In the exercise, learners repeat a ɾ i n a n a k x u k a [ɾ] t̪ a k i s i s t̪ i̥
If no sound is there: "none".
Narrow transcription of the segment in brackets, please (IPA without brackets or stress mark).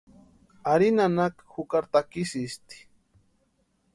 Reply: ɾ